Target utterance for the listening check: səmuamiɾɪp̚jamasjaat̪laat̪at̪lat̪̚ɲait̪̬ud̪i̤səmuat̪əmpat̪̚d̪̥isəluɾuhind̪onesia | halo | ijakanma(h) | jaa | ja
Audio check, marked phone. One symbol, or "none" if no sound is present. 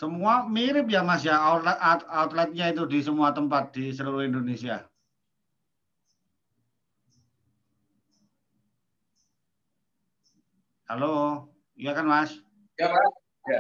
s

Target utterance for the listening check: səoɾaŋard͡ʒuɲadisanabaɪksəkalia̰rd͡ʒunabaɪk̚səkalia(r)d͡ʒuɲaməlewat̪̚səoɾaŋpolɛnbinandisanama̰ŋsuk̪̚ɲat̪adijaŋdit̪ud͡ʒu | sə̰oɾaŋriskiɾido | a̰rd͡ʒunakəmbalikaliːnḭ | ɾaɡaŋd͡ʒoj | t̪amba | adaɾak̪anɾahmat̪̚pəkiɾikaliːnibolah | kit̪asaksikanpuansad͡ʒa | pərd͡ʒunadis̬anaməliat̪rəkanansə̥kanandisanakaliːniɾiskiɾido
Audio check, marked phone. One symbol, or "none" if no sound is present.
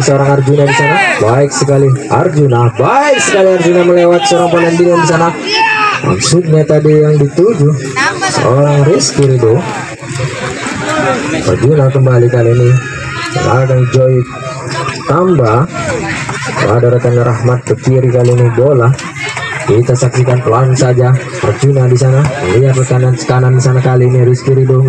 r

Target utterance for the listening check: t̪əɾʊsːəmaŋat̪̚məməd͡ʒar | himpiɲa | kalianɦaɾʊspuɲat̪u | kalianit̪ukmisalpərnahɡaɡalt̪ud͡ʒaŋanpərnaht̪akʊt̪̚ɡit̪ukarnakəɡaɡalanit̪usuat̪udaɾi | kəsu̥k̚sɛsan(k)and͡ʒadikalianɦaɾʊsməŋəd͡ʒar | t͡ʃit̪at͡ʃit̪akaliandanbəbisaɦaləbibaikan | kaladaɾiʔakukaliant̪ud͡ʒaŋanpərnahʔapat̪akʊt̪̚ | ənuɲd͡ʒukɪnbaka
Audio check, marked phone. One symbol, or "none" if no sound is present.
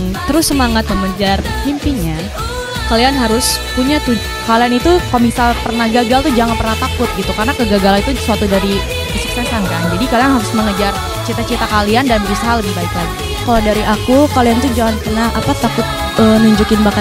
k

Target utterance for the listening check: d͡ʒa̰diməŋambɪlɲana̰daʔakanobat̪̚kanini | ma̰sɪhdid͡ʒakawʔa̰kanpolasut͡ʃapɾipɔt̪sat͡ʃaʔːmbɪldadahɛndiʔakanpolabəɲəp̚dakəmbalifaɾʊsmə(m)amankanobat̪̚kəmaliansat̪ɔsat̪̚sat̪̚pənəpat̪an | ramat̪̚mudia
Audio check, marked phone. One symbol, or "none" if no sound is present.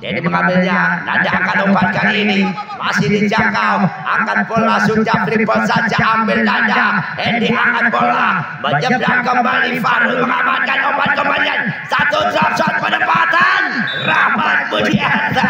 ŋ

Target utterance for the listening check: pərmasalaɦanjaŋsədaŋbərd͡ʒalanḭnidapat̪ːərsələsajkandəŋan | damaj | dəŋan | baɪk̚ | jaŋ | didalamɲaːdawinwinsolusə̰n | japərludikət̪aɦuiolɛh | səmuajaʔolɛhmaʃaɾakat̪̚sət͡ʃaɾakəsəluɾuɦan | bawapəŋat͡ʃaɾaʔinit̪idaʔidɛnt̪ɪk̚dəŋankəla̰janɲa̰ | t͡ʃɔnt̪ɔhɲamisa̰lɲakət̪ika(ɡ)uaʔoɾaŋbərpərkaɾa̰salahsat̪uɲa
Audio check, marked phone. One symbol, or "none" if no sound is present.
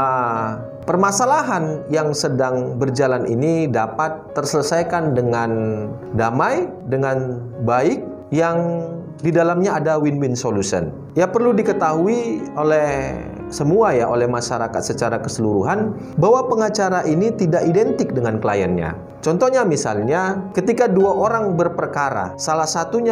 d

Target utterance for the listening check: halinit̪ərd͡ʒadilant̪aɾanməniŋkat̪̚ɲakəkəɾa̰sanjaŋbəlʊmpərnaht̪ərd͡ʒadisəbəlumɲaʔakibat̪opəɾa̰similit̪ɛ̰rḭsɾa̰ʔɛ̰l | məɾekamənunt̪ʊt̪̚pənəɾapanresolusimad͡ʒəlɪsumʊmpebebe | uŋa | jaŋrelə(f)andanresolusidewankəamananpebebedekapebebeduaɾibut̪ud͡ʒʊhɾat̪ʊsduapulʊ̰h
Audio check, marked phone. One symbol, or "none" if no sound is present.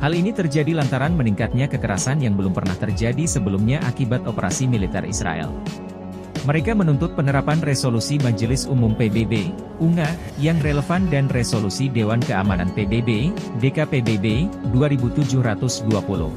f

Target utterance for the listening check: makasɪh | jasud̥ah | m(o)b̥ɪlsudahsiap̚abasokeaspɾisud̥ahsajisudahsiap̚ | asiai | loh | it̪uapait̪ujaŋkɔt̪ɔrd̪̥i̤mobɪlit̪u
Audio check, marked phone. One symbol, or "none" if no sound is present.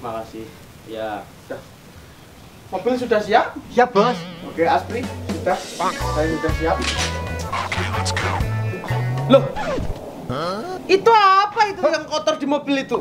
o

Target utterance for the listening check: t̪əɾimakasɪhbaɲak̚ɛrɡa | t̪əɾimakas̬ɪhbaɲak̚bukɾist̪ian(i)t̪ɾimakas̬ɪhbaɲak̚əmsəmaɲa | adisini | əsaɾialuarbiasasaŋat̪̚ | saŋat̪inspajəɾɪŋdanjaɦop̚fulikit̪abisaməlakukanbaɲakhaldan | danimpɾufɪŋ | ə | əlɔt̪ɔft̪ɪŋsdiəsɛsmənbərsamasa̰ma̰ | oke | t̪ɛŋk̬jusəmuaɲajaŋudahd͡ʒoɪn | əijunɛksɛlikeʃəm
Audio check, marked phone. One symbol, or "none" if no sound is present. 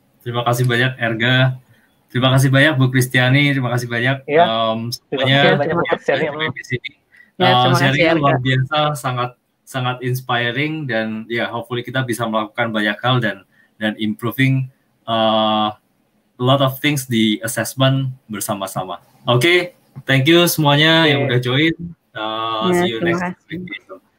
i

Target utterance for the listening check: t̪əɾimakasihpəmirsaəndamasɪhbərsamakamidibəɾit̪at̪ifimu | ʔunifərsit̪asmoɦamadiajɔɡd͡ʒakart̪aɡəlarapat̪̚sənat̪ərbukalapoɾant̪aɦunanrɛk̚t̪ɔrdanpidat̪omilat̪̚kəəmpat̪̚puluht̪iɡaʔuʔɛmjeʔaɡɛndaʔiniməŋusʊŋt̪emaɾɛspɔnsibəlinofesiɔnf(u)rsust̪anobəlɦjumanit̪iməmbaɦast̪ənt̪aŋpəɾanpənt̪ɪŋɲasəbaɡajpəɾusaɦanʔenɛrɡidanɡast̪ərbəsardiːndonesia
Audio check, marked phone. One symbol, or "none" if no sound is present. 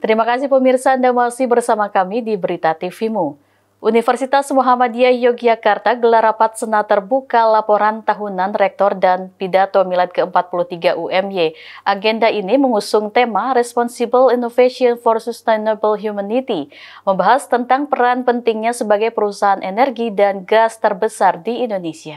ɔ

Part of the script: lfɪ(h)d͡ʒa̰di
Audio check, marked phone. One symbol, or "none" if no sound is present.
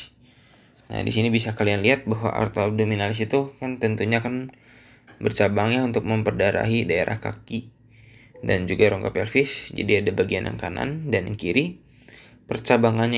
s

